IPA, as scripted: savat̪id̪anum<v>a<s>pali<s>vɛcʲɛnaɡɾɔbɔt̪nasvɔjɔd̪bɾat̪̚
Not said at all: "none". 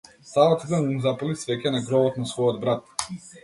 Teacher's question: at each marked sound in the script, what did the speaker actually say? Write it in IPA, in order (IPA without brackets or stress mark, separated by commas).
z, none, s